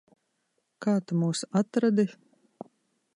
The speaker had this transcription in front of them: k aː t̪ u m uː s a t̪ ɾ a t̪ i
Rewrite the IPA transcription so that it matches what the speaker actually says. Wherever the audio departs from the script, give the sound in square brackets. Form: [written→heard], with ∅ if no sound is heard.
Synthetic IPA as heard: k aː t̪ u m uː s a t̪ ɾ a [t̪→d̪] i